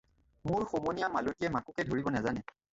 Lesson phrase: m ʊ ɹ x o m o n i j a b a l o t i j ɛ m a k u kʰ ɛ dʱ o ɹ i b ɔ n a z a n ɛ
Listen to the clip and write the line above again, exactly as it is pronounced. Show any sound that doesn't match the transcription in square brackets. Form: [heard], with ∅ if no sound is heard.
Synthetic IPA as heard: m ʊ ɹ x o m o n i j a [m] a l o t i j ɛ m a k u [k] ɛ dʱ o ɹ i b ɔ n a z a n ɛ

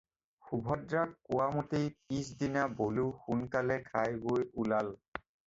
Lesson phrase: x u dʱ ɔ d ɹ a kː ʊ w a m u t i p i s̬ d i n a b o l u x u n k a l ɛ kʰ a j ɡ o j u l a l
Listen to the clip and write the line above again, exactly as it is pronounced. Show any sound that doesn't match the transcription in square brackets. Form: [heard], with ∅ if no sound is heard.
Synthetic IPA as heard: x u [bʱ] ɔ d ɹ a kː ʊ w a m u t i p i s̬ d i n a b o l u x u n k a l ɛ kʰ a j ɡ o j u l a l

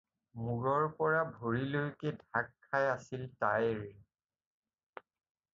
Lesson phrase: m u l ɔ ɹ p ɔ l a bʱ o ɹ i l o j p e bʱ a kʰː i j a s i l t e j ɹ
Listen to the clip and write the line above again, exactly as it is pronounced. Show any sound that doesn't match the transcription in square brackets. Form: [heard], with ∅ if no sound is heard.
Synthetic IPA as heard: m u [ɹ] ɔ ɹ p ɔ [ɹ] a bʱ o ɹ i l o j [k] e [dʱ] a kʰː [a] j a s i l t [a] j ɹ

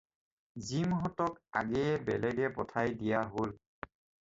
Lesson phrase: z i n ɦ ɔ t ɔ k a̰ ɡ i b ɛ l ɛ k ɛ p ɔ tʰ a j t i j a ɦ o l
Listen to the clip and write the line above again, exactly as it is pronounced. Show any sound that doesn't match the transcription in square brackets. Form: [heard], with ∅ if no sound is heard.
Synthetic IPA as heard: z i [m] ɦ ɔ t ɔ k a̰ ɡ [ɛ] b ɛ l ɛ [ɡ] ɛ p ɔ tʰ a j [d] i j a ɦ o l

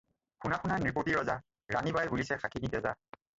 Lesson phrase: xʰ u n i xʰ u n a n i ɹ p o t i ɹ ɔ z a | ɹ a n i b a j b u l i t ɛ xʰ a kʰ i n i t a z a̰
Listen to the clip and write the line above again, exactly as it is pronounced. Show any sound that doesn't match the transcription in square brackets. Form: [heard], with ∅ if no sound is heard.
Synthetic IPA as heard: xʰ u n [a] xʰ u n a n i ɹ p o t i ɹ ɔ z a | ɹ a n i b a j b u l i [s] ɛ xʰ a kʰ i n i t [ɛ] z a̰

